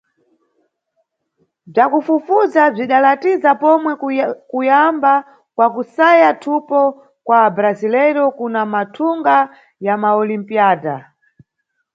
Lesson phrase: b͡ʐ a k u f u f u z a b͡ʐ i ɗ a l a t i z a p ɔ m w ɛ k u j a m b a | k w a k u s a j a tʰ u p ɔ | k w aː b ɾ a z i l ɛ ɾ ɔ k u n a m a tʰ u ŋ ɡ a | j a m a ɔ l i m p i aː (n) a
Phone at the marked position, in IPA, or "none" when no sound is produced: d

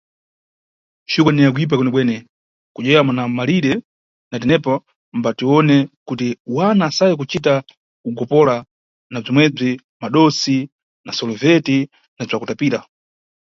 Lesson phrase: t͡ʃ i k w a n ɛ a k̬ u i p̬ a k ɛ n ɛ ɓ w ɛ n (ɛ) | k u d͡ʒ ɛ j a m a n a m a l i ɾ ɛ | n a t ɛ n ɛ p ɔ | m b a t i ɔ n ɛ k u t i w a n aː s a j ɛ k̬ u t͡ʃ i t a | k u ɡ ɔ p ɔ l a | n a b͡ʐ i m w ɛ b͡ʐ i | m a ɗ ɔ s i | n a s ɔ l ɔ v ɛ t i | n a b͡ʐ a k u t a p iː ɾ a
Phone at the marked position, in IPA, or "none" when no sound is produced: ɛ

